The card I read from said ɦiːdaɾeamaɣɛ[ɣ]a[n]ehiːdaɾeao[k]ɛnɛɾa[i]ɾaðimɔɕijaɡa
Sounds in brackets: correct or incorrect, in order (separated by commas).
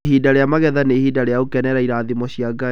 incorrect, correct, correct, correct